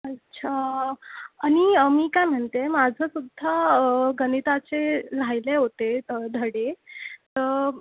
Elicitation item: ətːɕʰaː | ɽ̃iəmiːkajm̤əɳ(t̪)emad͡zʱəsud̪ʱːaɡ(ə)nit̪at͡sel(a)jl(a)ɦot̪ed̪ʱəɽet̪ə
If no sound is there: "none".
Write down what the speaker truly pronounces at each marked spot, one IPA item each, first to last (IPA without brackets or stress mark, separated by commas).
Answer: t̪, ə, a, e